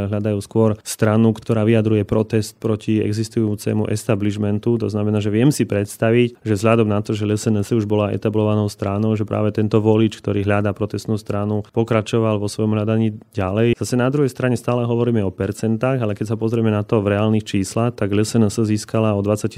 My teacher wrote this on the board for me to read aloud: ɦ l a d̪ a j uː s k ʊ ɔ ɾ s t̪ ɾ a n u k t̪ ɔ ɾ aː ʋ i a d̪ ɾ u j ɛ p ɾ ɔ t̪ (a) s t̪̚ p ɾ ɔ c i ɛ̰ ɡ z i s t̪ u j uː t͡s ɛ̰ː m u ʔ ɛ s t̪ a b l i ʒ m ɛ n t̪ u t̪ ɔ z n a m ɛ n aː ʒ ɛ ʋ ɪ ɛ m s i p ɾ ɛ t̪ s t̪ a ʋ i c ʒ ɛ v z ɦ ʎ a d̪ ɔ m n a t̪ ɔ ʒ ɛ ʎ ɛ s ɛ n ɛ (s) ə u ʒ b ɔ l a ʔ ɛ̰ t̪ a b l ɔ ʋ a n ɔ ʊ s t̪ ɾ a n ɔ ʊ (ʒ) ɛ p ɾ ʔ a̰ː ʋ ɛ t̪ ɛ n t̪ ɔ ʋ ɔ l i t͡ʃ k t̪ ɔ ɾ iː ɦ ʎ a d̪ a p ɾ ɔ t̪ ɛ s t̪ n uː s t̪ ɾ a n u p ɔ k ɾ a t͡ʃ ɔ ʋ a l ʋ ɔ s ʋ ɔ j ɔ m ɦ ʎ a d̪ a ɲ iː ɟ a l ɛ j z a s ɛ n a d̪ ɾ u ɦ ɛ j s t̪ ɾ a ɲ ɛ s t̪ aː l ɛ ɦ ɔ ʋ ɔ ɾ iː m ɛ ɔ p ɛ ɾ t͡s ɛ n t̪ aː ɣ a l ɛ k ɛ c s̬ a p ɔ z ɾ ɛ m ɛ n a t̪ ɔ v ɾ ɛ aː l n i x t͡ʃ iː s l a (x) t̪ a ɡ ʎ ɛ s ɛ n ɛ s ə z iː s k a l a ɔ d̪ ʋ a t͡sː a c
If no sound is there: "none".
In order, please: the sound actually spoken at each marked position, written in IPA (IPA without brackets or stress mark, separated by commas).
ɛ, s, ʒ, x